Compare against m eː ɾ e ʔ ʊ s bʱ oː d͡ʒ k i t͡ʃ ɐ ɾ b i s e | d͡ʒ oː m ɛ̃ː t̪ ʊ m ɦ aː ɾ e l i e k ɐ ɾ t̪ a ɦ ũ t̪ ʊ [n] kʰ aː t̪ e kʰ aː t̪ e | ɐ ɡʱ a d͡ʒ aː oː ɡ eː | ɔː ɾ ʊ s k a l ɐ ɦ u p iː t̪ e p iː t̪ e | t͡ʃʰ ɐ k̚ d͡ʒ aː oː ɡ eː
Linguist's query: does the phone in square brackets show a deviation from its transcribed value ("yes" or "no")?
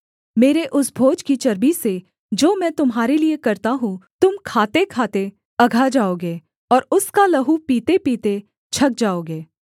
yes